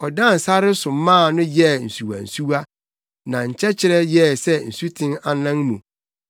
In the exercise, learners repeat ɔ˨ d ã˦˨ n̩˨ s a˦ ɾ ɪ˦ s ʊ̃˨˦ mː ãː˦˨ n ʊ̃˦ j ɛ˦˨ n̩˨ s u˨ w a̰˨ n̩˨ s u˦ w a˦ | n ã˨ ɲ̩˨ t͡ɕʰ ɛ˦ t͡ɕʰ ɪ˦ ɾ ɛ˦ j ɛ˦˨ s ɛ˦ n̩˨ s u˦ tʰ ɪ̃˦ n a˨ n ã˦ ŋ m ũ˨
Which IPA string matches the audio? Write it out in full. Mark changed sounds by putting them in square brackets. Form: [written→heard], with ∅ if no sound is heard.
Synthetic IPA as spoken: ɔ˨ d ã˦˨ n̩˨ s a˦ ɾ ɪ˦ s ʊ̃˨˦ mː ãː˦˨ n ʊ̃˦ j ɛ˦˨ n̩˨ s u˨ w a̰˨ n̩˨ s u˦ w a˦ | n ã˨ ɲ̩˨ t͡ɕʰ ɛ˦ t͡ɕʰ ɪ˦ ɾ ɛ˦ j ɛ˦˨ s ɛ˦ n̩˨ s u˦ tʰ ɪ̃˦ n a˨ n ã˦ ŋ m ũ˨